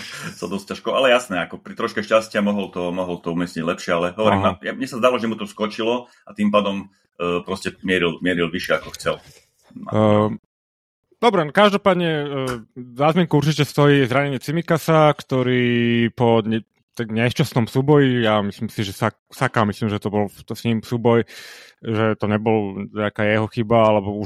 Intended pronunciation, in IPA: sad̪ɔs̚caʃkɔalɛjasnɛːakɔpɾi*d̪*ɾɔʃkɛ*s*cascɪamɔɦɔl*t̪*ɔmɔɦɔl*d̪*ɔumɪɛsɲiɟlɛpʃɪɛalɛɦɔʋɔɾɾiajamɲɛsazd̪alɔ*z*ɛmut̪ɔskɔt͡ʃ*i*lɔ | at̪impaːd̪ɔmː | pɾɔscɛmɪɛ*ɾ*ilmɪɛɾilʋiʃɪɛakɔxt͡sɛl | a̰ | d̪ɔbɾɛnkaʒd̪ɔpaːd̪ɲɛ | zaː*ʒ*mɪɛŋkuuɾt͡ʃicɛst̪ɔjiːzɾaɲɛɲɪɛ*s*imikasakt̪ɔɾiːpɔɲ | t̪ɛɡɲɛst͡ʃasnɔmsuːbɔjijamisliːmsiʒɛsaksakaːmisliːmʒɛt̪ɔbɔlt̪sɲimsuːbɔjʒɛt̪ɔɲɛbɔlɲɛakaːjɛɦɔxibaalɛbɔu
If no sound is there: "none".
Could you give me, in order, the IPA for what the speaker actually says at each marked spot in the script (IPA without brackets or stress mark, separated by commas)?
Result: t̪, ʃ, t̪, t̪, ʒ, i, ɾ, z, t͡s